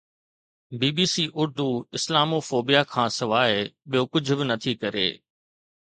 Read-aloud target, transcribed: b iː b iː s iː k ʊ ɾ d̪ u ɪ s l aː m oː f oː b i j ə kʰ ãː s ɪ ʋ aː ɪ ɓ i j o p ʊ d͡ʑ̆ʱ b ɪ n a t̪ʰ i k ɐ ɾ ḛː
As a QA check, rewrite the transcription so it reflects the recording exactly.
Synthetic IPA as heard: b iː b iː s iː ʔ ʊ ɾ d̪ u ɪ s l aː m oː f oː b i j a kʰ ãː s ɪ ʋ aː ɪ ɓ i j o k ʊ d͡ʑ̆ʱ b ɪ n ɐ t̪ʰ i k ɐ ɾ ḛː

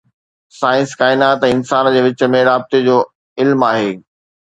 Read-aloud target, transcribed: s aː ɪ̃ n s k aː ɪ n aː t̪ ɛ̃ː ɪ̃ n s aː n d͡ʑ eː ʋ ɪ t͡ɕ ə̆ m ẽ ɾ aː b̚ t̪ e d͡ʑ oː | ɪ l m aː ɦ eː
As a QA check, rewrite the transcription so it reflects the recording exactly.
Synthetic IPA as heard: s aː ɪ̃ n s k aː ɪ n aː t̪ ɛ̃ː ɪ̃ n s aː n d͡ʑ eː ʋ ɪ t͡ɕ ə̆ m ẽ ɾ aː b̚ t̪ e d͡ʑ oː | ɪ l m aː ɦ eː

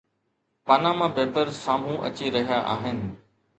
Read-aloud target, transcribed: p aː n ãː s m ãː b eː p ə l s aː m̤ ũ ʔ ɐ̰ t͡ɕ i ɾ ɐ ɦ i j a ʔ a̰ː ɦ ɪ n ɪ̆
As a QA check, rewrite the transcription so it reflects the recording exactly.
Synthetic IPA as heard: p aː n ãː m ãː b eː p ə ɾ s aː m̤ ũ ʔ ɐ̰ t͡ɕ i ɾ ɐ ɦ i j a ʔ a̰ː ɦ ɪ n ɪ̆

